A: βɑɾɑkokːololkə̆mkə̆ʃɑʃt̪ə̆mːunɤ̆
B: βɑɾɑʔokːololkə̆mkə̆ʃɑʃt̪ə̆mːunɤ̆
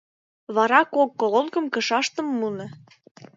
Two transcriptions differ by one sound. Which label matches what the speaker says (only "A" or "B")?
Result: A